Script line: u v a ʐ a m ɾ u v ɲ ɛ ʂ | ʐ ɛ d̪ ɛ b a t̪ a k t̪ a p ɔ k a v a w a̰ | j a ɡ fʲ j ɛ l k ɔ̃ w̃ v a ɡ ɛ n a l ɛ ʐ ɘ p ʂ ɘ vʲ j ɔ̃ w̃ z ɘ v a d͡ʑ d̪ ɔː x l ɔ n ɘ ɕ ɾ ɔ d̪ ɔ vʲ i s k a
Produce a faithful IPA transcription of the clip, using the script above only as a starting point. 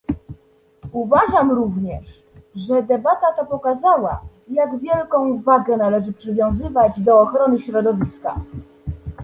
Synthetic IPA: u v a ʐ a m ɾ u v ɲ ɛ ʂ | ʐ ɛ d̪ ɛ b a t̪ a t̪ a p ɔ k a z a w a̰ | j a ɡ vʲ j ɛ l k ɔ̃ w̃ v a ɡ ɛ n a l ɛ ʐ ɘ p ʂ ɘ vʲ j ɔ̃ w̃ z ɘ v a d͡ʑ d̪ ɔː x ɾ ɔ n ɘ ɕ ɾ ɔ d̪ ɔ vʲ i s k a